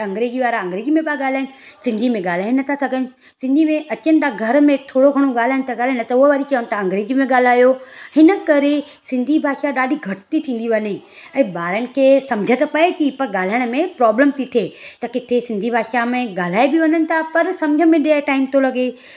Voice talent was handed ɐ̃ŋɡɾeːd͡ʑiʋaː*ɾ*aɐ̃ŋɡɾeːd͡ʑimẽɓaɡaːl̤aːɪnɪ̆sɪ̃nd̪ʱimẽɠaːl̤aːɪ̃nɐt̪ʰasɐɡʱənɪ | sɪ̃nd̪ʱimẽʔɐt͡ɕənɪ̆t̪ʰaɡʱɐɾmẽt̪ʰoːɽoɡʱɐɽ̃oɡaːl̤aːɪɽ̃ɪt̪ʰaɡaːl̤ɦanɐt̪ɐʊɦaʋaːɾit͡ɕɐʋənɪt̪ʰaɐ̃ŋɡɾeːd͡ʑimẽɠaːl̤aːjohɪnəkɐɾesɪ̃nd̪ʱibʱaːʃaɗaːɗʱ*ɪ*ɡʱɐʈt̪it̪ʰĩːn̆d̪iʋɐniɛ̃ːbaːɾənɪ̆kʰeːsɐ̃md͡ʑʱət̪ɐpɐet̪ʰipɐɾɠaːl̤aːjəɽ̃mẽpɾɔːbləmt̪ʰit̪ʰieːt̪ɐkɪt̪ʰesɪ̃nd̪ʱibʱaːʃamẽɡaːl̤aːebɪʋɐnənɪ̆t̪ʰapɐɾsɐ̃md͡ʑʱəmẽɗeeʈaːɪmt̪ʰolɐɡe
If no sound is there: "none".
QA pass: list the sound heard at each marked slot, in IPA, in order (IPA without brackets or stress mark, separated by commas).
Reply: ɾ, i